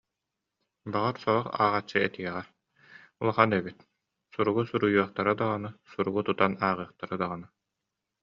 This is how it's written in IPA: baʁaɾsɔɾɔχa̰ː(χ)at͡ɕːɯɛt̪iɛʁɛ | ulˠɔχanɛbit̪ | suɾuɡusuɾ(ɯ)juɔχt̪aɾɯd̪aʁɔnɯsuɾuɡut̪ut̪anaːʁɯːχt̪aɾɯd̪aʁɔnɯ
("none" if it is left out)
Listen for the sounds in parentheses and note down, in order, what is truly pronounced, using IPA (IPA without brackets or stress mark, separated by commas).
ʁ, u